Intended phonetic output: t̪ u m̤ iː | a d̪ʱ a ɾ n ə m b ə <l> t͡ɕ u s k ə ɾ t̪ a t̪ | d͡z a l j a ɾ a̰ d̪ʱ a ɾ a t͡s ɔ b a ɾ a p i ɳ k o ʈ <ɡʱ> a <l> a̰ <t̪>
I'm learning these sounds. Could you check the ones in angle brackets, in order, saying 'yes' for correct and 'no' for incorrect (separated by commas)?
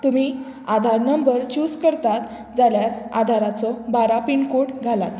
no, yes, yes, yes